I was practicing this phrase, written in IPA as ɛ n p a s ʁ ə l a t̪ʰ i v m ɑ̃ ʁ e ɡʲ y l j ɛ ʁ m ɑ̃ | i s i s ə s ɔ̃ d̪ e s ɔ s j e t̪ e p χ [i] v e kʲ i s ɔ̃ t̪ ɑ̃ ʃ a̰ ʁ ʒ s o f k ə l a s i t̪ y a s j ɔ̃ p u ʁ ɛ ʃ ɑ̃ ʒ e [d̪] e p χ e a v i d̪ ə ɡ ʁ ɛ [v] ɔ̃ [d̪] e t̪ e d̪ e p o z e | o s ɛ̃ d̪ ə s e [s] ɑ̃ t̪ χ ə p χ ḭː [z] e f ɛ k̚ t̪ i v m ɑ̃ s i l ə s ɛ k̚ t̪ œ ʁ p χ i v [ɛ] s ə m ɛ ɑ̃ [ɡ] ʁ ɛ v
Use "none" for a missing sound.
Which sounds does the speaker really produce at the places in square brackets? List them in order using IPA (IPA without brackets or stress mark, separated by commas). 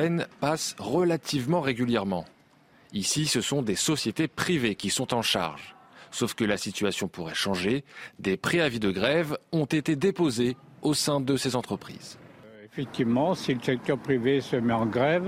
i, d̪, v, t̪, z, z, e, ɡ